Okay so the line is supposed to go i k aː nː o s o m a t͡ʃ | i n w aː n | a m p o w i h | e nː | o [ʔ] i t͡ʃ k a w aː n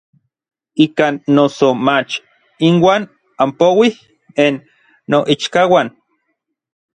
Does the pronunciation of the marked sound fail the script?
no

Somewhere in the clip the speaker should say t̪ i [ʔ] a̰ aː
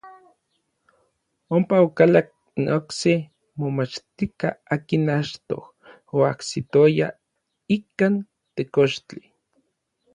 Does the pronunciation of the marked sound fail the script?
yes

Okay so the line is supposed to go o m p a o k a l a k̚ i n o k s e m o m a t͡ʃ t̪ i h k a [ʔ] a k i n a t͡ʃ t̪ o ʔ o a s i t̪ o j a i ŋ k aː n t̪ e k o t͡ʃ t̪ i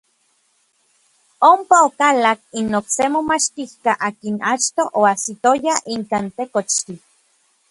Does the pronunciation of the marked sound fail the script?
no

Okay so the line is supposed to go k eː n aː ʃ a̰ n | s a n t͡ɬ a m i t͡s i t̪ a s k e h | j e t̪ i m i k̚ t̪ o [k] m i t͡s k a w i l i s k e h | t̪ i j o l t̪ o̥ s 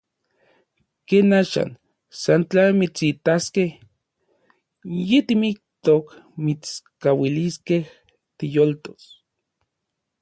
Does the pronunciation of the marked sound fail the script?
no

